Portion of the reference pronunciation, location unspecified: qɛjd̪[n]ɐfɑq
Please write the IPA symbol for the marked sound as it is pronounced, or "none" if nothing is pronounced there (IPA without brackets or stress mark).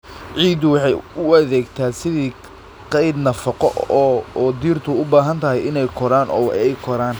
n